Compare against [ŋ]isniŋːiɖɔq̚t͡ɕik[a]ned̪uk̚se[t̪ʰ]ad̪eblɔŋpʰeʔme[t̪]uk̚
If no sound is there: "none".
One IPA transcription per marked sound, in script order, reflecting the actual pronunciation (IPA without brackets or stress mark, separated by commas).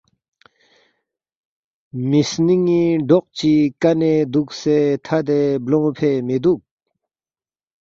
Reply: m, a, t̪ʰ, d̪